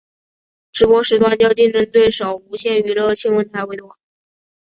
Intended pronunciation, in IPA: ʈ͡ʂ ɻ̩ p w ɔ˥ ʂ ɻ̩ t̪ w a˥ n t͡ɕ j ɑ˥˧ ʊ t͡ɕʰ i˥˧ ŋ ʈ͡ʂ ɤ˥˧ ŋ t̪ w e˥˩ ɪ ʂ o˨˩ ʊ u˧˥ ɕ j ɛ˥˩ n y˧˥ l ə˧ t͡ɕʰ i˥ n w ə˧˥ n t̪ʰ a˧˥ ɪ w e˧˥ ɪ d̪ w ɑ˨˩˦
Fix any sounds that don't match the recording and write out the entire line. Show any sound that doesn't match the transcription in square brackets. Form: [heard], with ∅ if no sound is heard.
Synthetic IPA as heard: ʈ͡ʂ ɻ̩ p w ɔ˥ ʂ ɻ̩ t̪ w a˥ n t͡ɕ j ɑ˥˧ ʊ [t͡ɕ] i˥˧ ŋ ʈ͡ʂ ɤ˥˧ ŋ t̪ w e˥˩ ɪ ʂ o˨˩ ʊ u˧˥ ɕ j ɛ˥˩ n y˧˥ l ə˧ t͡ɕʰ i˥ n w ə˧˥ n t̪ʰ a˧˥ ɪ w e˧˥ ɪ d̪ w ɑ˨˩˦